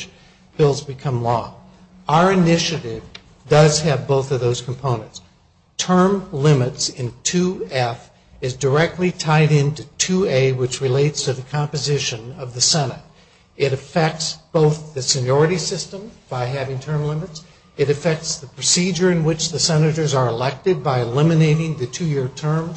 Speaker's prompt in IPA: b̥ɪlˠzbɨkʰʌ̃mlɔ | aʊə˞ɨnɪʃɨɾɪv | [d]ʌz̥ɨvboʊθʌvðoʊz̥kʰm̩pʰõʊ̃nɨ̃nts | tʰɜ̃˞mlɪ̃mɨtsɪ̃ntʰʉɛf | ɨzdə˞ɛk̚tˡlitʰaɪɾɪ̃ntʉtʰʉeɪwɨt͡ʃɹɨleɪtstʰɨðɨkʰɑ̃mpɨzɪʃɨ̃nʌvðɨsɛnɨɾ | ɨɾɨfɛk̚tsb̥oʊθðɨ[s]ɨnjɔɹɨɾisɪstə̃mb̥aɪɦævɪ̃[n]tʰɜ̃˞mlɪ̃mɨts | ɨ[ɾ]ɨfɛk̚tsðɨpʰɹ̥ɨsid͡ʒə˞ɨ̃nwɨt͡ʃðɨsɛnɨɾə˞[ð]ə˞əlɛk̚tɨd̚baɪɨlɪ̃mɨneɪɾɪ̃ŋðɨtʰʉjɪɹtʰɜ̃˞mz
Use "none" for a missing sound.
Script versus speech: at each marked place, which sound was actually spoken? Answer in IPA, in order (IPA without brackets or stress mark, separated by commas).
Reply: d, s, ŋ, ɾ, z